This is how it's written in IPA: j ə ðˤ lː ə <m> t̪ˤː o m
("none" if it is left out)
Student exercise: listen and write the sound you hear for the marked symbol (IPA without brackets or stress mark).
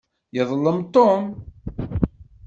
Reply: m